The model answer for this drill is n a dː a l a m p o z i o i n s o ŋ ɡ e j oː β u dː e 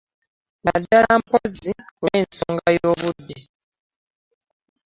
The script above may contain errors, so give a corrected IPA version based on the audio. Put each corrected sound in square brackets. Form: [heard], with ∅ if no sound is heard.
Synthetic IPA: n a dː a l a m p o z i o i n s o ŋ ɡ [a] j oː β u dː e

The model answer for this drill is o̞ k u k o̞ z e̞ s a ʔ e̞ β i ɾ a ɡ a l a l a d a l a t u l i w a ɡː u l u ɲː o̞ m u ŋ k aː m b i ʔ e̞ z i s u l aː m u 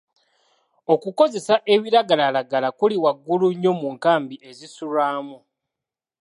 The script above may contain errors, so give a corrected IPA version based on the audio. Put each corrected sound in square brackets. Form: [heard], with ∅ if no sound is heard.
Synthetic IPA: o̞ k u k o̞ z e̞ s a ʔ e̞ β i ɾ a ɡ a l a l a [ɡ] a l a [k] u l i w a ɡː u l u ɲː o̞ m u ŋ k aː m b i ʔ e̞ z i s u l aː m u

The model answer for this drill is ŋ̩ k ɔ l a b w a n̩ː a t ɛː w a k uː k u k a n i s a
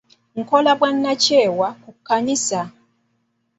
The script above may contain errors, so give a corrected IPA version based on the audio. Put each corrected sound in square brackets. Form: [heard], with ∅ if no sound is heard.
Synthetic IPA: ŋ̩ k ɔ l a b w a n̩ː a [t͡ʃ] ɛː w a k [u] k u k a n i s a

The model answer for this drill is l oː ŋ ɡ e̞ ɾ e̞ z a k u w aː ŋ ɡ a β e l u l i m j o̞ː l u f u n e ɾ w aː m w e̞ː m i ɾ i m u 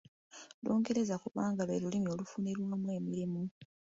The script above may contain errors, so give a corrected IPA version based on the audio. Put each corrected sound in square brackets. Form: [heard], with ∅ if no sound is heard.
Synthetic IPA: l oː ŋ ɡ e̞ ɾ e̞ z a k u [β] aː ŋ ɡ a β e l u l i m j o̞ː l u f u n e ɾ w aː m w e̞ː m i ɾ i m u

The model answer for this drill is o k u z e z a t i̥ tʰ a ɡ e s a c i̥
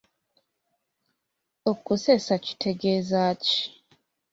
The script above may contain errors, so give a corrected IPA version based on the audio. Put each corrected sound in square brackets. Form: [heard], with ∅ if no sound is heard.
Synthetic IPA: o k u [s] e [s] a [c] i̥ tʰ [e] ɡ e [z] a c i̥

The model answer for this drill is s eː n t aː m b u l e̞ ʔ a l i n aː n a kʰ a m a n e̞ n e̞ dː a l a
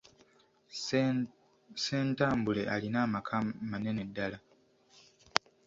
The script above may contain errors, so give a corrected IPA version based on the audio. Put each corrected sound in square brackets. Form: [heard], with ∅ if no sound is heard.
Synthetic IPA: s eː n t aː m b u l e̞ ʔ a l i n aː [m] a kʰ a m a n e̞ n e̞ dː a l a

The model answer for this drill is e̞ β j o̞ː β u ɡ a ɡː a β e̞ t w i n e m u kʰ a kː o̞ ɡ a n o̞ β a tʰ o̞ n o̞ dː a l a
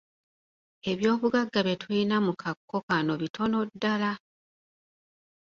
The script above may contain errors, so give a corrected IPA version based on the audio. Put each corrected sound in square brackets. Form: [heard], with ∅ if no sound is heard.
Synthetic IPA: e̞ β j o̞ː β u ɡ a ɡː a β e̞ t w i n [a] m u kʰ a kː o̞ [k] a n o̞ β [i] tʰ o̞ n o̞ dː a l a

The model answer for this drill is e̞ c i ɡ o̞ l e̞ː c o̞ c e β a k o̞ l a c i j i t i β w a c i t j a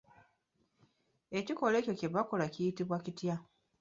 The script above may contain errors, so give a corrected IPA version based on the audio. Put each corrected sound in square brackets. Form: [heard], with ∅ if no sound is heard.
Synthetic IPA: e̞ c i [k] o̞ l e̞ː c o̞ c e β a k o̞ l a c i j i t i β w a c i t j a

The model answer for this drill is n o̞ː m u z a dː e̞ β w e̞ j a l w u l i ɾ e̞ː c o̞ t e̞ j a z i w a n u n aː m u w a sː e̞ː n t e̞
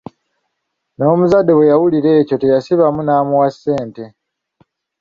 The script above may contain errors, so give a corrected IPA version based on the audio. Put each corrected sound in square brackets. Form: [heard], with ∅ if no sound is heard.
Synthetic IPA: n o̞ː m u z a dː e̞ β w e̞ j a [∅] w u l i ɾ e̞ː c o̞ t e̞ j a [s] i [β] a [m] u n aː m u w a sː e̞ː n t e̞

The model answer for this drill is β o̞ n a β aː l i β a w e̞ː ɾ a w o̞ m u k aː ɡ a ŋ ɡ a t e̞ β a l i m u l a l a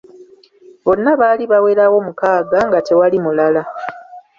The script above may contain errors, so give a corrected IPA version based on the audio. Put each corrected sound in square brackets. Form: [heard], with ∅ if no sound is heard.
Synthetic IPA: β o̞ [nː] a β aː l i β a w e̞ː ɾ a w o̞ m u k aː ɡ a ŋ ɡ a t e̞ [w] a l i m u l a l a

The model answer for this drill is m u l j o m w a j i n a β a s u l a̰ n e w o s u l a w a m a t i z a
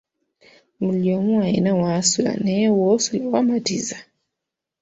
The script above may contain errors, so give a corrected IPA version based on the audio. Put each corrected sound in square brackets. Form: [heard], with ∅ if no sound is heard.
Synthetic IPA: m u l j o m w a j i n a [w] a s u l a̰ n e w o s u l a w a m a t i z a

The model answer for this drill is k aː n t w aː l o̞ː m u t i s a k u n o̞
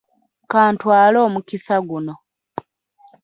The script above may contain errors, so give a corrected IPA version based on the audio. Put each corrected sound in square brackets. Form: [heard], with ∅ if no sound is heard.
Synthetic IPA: k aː n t w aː l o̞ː m u [k] i s a [ɡ] u n o̞

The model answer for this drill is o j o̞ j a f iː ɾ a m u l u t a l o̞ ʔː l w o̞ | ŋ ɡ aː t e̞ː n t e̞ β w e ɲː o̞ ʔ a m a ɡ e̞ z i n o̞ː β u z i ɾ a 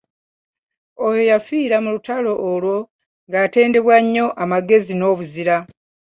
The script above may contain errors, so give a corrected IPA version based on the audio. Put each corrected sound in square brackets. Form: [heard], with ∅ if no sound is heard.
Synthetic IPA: o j o̞ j a f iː ɾ a m u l u t a l o̞ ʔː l w o̞ | ŋ ɡ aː t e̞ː n [d] e̞ β w [a] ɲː o̞ ʔ a m a ɡ e̞ z i n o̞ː β u z i ɾ a

